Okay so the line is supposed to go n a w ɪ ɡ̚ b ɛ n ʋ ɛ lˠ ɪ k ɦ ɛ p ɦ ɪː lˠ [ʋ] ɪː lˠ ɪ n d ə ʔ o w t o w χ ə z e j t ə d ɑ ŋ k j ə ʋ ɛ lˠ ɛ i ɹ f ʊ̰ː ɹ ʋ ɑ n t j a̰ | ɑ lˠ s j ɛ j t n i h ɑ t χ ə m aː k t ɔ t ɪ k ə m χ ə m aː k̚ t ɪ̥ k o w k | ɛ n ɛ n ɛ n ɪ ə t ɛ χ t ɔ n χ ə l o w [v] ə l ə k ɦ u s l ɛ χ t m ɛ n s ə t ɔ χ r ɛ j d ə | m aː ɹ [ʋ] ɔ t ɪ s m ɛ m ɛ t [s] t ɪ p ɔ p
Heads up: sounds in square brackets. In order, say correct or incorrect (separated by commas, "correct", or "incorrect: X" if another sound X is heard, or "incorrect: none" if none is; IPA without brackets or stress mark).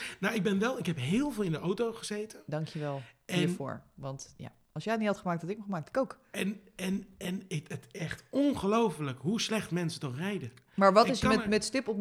incorrect: v, incorrect: f, correct, correct